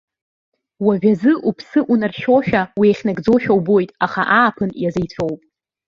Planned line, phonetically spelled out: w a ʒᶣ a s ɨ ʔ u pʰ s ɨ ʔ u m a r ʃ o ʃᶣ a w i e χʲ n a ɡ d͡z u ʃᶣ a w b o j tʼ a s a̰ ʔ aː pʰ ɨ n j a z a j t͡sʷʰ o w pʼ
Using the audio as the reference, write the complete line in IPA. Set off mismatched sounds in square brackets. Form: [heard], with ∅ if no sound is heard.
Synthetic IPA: w a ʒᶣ a [z] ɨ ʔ u pʰ s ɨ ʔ u [n] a r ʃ o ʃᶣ a w i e χʲ n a ɡ d͡z [o] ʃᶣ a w b o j tʼ a [χ] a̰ ʔ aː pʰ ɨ n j a z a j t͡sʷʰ o w pʼ